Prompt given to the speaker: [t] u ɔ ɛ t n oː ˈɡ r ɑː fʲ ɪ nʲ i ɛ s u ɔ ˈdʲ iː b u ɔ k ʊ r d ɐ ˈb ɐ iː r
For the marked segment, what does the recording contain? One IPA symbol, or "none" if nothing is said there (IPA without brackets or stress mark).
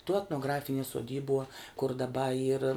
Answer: t